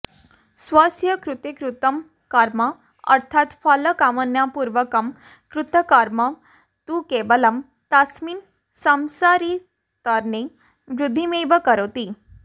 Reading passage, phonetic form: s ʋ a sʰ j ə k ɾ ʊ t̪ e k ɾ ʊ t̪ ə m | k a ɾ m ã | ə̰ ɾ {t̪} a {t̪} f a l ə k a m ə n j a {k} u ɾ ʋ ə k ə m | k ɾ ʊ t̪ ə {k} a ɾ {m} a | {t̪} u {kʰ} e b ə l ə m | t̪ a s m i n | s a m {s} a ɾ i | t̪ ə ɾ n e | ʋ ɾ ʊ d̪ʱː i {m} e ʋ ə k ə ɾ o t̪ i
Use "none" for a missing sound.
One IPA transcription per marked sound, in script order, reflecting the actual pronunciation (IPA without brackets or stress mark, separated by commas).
t̪ʰ, t̪, p, k, m, t̪, k, s, m